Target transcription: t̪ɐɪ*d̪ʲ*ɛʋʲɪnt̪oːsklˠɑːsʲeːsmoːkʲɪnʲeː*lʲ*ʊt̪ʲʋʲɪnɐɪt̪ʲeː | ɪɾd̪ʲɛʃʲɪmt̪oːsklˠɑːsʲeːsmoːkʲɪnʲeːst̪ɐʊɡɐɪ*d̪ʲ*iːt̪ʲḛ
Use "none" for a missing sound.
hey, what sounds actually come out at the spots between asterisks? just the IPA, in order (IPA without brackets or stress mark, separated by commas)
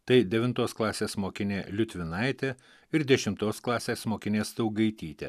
d̪ʲ, lʲ, t̪ʲ